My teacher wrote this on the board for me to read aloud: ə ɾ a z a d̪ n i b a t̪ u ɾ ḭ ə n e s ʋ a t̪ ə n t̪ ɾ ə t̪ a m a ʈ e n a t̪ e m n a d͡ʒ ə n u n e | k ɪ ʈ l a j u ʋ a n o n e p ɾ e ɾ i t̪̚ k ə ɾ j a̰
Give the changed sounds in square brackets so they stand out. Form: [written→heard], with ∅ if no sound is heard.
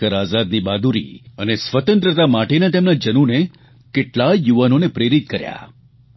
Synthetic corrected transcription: ə ɾ a z a d̪ n i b a [t̪→d̪] u ɾ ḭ ə n e s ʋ [a→ə] t̪ ə n t̪ ɾ ə t̪ a m a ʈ e n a t̪ e m n a d͡ʒ ə n u n e | k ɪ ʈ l a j u ʋ a n o n e p ɾ e ɾ i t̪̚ k ə ɾ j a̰

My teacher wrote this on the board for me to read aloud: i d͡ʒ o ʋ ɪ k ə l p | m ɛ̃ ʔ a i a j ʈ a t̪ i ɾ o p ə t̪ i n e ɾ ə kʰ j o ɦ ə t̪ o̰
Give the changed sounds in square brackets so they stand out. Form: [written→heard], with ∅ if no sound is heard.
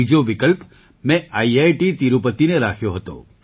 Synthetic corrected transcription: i d͡ʒ o ʋ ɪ k ə l p | m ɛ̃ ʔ a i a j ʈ [a→i] t̪ i ɾ [o→u] p ə t̪ i n e ɾ [ə→a] kʰ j o ɦ ə t̪ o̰

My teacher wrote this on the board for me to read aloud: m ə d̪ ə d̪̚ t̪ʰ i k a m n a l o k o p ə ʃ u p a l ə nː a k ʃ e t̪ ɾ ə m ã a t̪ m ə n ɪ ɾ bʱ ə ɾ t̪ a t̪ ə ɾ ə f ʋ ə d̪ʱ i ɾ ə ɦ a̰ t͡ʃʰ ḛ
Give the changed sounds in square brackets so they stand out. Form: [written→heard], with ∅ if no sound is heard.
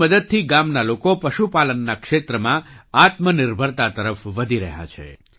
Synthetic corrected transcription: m ə d̪ ə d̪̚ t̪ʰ i [k→ɡ] a m n a l o k o p ə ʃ u p a l ə nː a k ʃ e t̪ ɾ ə m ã a t̪ m ə n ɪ ɾ bʱ ə ɾ t̪ a t̪ ə ɾ ə f ʋ ə d̪ʱ i ɾ ə ɦ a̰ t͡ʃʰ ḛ

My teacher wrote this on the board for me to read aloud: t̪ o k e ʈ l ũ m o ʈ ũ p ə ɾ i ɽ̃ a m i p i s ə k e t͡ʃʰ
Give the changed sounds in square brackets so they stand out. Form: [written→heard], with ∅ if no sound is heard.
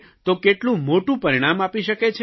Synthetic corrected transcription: t̪ o k e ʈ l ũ m o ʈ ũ p ə ɾ i ɽ̃ a m [i→a] p i [s→ʃ] ə k e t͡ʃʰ

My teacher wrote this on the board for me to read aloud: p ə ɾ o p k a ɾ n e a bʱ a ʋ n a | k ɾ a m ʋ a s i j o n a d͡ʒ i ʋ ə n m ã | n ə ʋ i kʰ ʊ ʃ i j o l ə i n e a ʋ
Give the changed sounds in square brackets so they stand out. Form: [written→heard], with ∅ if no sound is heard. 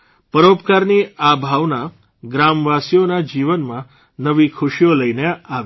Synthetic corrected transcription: p ə ɾ o p k a ɾ n [e→i] a bʱ a ʋ n a | [k→ɡ] ɾ a m ʋ a s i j o n a d͡ʒ i ʋ ə n m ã | n ə ʋ i kʰ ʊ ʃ i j o l ə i n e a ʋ

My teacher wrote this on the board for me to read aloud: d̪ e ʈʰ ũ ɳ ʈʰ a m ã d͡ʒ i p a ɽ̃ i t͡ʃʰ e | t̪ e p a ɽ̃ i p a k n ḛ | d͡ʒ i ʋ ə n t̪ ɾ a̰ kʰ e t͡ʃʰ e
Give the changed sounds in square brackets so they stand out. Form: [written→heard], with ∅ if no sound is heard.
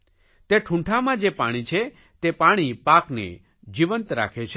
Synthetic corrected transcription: [d̪→t̪] e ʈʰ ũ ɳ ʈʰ a m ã d͡ʒ [i→e] p a ɽ̃ i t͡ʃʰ e | t̪ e p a ɽ̃ i p a k n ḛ | d͡ʒ i ʋ ə n t̪ ɾ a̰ kʰ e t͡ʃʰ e

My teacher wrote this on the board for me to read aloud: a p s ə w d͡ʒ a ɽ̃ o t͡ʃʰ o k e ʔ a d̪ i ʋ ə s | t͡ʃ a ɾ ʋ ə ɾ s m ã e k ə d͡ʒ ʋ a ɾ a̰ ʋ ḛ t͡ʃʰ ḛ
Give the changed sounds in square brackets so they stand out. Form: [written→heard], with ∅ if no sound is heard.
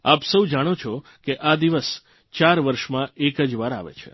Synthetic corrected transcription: a p s ə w d͡ʒ a ɽ̃ o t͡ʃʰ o k e ʔ a d̪ i ʋ ə s | t͡ʃ a ɾ ʋ ə ɾ [s→ʃ] m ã e k ə d͡ʒ ʋ a ɾ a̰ ʋ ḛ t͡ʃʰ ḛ

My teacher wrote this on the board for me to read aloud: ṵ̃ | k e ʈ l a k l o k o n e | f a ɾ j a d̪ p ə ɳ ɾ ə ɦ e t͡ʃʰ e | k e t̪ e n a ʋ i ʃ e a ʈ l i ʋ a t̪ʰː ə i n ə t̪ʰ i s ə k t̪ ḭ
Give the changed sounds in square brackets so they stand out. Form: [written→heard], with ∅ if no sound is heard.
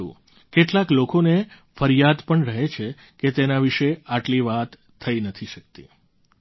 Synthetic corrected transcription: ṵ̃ | k e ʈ l a k l o k o n e | f [a→ə] ɾ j a d̪ p ə ɳ ɾ ə ɦ e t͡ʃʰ e | k e t̪ e n a ʋ i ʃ e a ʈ l i ʋ a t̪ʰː ə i n ə t̪ʰ i [s→ʃ] ə k t̪ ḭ

